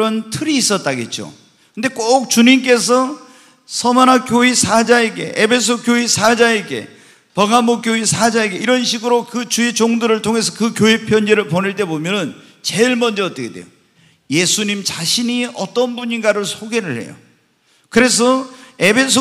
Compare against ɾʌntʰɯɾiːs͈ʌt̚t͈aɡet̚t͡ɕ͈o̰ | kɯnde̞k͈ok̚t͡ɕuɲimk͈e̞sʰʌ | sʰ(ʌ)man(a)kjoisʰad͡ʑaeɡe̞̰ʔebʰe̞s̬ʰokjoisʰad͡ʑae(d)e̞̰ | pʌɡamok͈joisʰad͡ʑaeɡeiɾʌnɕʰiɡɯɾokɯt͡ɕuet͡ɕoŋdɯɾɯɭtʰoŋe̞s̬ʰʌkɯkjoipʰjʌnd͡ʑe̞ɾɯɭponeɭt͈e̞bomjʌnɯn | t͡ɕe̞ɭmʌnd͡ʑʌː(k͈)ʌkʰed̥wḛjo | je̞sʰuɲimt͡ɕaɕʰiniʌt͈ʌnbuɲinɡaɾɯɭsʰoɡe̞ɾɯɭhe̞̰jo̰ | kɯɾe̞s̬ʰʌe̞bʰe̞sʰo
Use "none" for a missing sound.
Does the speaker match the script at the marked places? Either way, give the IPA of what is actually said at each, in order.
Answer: ʌ, a, ɡ, t͈

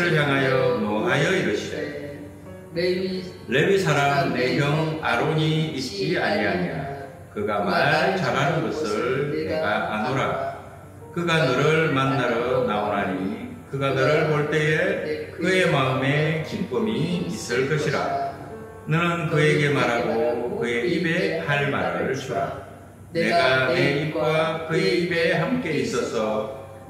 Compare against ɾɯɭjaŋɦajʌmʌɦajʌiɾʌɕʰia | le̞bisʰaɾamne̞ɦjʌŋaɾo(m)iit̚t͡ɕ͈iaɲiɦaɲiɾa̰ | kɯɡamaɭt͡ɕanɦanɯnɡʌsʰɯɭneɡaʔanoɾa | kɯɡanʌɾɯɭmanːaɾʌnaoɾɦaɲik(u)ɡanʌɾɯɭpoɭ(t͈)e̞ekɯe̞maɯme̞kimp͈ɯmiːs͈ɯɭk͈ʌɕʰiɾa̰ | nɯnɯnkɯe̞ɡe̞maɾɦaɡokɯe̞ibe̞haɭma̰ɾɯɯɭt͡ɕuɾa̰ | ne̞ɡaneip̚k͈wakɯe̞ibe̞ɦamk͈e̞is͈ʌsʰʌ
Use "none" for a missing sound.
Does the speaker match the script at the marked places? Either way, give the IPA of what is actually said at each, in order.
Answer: ɲ, ɯ, t͈

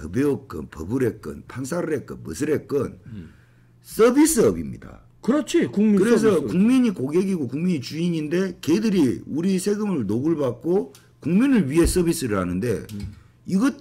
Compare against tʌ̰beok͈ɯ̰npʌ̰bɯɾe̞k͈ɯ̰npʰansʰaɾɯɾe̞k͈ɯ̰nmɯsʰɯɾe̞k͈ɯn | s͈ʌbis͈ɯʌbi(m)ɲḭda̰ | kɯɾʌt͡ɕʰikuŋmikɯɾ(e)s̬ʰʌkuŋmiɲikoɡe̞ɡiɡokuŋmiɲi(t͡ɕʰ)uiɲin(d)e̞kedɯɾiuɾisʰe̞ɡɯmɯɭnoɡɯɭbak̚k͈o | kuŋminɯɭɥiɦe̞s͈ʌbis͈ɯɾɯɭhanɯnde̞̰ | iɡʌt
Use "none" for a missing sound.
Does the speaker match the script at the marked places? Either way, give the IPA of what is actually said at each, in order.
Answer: m, e, t͡ɕ, d

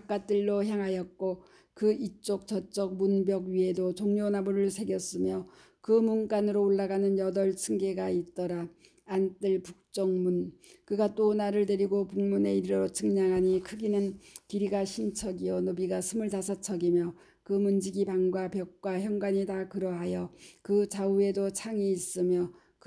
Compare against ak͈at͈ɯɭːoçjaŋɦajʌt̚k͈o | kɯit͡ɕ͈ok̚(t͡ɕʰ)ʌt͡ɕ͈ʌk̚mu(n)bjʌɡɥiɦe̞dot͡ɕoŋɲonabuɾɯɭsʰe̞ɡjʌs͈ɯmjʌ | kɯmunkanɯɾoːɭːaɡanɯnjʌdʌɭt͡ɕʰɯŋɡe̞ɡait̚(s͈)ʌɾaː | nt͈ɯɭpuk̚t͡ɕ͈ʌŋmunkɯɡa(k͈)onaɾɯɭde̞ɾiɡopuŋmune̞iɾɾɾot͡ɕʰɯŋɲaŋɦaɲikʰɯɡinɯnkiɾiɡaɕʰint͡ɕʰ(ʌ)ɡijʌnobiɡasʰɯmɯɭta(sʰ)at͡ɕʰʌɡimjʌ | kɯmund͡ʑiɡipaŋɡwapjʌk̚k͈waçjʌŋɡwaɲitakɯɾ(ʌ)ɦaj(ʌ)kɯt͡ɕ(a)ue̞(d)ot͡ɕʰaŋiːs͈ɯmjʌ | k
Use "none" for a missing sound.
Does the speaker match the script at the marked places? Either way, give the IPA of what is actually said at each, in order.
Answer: t͡ɕ, n, t͈, t͈, ʌ, sʰ, ʌ, ʌ, a, d

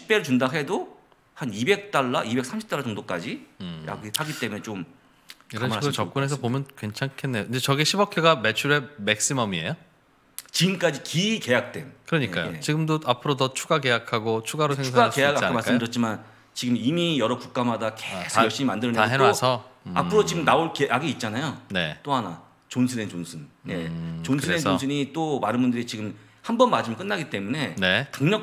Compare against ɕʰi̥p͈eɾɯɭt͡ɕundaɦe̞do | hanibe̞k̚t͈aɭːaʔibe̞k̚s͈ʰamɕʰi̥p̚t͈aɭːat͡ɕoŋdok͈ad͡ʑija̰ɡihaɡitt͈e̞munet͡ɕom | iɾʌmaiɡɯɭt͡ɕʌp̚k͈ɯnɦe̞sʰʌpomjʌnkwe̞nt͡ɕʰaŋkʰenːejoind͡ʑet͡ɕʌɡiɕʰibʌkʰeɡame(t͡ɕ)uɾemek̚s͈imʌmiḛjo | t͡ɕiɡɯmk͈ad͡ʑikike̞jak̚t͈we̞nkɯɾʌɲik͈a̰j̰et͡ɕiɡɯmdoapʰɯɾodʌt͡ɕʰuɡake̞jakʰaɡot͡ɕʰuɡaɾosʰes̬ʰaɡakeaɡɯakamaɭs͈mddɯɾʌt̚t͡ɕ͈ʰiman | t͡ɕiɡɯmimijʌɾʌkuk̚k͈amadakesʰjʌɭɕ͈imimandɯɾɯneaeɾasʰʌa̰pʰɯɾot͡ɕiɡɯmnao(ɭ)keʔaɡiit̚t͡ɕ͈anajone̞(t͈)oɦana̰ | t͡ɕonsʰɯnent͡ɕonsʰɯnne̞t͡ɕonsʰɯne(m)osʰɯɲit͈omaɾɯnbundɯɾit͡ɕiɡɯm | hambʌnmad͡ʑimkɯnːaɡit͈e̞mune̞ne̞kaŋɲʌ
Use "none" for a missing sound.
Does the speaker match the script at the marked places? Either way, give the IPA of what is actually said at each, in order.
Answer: t͡ɕʰ, ɭ, t͈, n

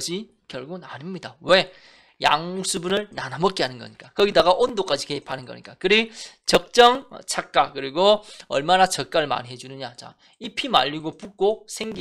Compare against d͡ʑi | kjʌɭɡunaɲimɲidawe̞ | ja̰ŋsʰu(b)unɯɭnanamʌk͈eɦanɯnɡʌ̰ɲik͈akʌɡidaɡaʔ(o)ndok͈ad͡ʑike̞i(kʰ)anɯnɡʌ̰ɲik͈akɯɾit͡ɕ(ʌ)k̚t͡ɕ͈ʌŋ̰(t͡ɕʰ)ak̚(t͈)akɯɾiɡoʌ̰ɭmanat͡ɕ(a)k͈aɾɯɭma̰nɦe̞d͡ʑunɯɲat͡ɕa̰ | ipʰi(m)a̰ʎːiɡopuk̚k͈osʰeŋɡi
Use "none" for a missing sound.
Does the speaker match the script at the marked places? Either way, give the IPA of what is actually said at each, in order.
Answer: b, o, pʰ, ʌ, t͡ɕʰ, k͈, ʌ, m

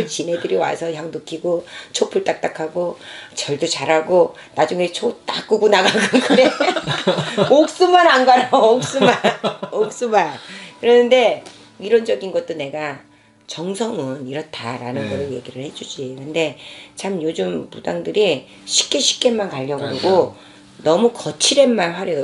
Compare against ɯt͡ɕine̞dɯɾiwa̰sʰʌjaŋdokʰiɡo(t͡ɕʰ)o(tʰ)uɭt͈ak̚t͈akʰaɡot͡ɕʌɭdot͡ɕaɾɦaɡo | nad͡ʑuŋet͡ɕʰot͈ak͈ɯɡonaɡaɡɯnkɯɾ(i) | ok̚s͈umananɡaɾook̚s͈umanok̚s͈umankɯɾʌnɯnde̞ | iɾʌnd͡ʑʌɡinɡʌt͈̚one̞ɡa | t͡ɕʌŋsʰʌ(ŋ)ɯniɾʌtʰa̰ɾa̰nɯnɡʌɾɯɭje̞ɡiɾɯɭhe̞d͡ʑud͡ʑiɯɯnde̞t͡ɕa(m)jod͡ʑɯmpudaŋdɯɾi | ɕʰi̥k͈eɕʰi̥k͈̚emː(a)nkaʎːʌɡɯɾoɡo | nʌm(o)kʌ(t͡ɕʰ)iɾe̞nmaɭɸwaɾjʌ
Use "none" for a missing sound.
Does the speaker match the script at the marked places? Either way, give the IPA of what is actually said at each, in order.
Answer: t͡ɕʰ, pʰ, e, ŋ, m, a, u, t͡ɕʰ

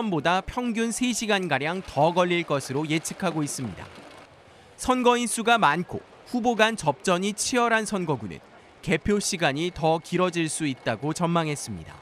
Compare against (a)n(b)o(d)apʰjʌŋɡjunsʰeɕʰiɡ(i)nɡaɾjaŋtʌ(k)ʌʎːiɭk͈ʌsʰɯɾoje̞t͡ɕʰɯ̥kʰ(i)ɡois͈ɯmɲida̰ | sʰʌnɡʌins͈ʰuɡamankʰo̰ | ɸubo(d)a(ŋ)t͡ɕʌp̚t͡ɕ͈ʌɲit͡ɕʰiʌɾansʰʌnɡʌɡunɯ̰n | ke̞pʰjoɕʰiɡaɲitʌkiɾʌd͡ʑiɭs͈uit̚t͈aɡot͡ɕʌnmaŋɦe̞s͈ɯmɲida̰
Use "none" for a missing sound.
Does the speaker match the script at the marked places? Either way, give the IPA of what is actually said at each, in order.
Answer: ʌ, b, d, a, ɡ, a, ɡ, n

